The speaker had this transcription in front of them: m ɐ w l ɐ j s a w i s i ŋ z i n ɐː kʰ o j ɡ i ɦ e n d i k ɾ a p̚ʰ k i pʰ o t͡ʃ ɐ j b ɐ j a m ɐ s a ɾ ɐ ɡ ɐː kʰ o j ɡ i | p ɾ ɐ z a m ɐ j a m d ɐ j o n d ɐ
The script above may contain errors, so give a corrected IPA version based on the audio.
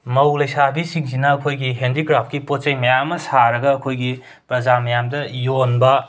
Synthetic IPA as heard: m ɐ w l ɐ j s a b i s i ŋ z i n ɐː kʰ o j ɡ i ɦ e n d i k ɾ a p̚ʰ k i p o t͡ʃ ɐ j m ɐ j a m ɐ s a ɾ ɐ ɡ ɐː kʰ o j ɡ i | p ɾ ɐ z a m ɐ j a m d ɐ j o n b ɐ